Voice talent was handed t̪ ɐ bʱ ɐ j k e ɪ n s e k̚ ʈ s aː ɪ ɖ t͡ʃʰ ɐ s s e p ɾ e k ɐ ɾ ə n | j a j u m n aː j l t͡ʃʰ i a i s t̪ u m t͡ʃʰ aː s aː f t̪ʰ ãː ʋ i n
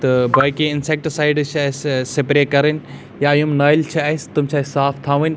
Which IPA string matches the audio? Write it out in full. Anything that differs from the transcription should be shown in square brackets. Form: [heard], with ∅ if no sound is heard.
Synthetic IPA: t̪ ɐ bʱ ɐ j k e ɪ n s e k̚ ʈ s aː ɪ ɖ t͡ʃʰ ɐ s s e p ɾ e k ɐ ɾ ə n | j a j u m n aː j l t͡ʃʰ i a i s t̪ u m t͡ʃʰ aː s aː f t̪ʰ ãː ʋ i n